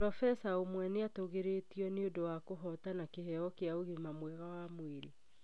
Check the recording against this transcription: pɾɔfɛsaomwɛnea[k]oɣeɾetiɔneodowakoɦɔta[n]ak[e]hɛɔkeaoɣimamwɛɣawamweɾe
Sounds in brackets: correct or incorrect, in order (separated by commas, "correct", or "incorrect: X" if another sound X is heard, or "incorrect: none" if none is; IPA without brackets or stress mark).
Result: incorrect: t, correct, correct